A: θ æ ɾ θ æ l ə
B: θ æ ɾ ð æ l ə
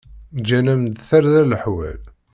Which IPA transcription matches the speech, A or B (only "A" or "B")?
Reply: B